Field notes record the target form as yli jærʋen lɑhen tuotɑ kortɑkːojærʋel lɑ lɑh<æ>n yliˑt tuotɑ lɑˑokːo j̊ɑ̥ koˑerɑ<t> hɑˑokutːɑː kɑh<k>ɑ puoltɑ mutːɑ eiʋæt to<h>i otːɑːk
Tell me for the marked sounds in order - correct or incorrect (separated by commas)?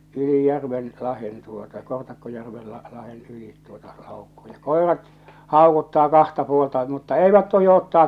incorrect, correct, incorrect, correct